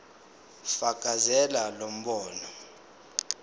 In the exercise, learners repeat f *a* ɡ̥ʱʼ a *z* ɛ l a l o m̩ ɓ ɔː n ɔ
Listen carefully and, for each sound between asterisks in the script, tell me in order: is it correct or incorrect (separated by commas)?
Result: correct, correct